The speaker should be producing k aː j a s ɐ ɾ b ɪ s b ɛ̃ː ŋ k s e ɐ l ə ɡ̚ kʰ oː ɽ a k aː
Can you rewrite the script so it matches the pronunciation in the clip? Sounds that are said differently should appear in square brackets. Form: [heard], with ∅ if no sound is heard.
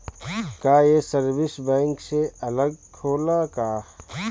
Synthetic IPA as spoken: k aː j [e] s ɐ ɾ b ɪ s b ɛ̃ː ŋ k s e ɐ l ə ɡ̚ kʰ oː [l] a k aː